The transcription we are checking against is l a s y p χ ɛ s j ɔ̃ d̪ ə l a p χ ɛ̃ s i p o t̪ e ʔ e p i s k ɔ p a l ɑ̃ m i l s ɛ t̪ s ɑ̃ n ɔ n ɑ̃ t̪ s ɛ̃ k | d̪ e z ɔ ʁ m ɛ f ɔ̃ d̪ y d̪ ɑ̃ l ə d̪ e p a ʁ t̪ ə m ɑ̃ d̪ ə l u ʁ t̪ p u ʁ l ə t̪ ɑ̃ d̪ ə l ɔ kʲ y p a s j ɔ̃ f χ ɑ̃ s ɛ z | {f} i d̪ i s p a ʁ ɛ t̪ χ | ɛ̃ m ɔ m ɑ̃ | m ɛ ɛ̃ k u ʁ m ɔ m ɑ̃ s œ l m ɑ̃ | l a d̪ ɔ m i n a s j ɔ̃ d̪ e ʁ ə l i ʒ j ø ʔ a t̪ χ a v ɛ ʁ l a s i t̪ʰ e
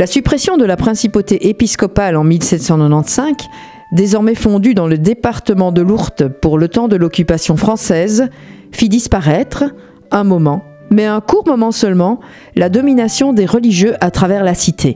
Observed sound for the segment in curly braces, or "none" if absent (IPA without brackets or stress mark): f